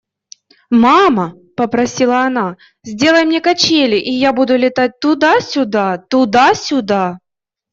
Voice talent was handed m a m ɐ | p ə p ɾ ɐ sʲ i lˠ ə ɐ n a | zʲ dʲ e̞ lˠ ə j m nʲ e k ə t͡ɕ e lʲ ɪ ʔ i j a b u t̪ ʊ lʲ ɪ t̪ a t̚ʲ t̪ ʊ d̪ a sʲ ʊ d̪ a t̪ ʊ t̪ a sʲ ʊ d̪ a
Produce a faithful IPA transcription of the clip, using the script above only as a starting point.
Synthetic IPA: m a m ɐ | p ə p ɾ ɐ sʲ i lˠ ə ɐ n a | zʲ dʲ e̞ lˠ ə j m nʲ e k ɐ t͡ɕ e lʲ ɪ ʔ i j a b u d̪ ʊ lʲ ɪ t̪ a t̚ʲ t̪ ʊ d̪ a sʲ ʊ d̪ a t̪ ʊ d̪ a sʲ ʊ d̪ a